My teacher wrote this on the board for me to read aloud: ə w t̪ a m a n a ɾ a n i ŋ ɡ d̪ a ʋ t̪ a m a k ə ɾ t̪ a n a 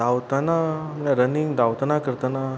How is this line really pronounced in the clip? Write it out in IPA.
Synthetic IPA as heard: a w t̪ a n a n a ɾ ə n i ŋ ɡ d̪ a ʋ t̪ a n a k ə ɾ t̪ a n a